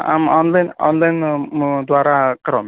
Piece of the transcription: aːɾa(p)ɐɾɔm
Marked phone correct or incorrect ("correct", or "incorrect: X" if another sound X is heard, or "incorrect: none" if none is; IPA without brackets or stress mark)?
incorrect: k